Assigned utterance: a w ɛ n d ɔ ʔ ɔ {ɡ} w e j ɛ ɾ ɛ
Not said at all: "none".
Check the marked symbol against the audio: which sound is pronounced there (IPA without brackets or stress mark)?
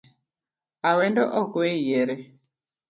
k